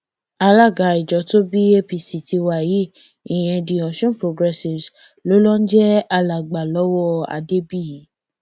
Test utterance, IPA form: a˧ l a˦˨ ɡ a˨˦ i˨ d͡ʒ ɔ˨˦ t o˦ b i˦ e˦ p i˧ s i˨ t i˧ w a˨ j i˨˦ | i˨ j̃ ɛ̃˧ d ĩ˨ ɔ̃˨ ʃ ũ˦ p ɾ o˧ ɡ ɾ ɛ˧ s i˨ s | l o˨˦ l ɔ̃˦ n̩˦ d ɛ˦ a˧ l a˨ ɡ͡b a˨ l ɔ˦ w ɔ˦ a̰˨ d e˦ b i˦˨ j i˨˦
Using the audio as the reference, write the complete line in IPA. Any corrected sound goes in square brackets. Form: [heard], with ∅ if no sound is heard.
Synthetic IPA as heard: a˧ l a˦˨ ɡ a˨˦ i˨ d͡ʒ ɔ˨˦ t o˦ b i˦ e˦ p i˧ s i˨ t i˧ w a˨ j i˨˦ | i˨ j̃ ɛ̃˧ d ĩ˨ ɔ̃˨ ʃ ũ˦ p ɾ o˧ ɡ ɾ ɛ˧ s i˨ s | l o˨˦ l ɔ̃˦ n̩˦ [d͡ʒ] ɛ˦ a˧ l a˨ ɡ͡b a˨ l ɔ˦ w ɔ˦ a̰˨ d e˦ b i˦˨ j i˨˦